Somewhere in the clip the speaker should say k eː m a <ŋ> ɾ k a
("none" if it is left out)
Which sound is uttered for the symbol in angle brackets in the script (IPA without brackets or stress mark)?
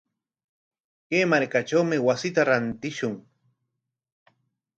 none